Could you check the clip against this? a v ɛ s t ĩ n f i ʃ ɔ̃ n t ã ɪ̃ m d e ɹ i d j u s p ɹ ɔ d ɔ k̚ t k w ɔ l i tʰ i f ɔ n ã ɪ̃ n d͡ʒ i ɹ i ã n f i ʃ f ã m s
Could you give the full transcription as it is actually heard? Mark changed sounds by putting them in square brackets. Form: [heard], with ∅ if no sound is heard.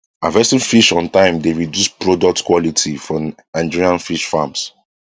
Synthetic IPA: a v ɛ s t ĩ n f i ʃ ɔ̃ n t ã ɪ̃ m d e ɹ i d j u s p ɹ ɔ d ɔ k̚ t k w ɔ l i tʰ i f ɔ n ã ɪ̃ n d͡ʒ i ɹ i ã n f i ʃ f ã m s